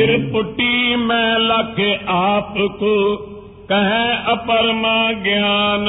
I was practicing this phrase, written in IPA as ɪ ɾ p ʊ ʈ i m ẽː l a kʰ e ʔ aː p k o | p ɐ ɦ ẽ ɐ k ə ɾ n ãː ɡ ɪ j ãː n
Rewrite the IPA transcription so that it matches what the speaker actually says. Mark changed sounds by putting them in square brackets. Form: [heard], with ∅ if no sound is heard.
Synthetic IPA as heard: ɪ ɾ p ʊ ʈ i m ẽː l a kʰ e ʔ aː p k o | [k] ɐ ɦ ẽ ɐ [p] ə ɾ [m] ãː ɡ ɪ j [aː] n